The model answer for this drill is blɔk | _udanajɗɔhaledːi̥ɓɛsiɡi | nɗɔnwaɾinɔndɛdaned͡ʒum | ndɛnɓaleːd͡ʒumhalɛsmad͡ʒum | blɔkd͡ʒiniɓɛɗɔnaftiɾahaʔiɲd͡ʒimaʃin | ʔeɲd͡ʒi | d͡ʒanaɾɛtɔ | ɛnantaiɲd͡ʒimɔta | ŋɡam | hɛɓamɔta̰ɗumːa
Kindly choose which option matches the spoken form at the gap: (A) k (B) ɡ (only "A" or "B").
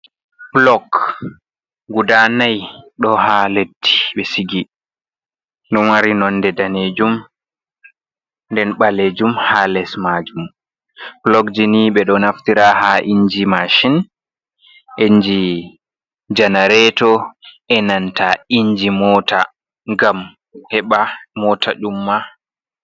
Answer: B